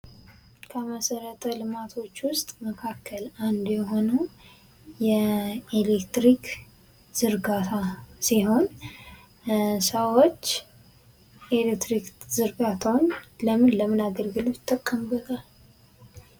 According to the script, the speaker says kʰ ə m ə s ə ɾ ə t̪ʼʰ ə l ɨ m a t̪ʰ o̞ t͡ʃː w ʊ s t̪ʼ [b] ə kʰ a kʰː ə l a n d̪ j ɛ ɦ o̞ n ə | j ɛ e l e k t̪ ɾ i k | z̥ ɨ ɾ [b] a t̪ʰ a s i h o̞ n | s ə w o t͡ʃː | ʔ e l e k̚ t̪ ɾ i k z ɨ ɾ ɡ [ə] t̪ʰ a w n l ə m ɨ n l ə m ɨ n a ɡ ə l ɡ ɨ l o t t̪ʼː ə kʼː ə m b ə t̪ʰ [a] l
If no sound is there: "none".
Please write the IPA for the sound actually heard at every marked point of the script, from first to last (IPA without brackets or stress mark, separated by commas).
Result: m, ɡ, a, a